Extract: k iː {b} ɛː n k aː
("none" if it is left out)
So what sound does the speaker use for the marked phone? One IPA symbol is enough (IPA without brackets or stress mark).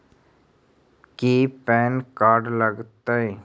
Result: p